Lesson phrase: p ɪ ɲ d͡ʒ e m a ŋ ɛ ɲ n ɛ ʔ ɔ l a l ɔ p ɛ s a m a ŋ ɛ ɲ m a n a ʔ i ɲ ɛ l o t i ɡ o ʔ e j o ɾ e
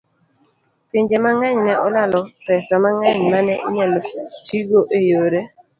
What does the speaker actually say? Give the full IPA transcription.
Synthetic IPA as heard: p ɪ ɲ d͡ʒ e m a ŋ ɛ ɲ n ɛ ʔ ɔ l a l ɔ p ɛ s a m a ŋ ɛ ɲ m a n ɛ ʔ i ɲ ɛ l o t i ɡ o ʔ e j o ɾ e